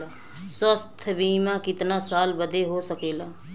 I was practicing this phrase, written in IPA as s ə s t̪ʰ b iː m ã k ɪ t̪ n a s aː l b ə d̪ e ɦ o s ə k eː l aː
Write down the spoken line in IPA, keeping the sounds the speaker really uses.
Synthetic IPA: s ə s t̪ʰ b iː m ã k ɪ t̪ n a s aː l b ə d̪ e ɦ o s ə k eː l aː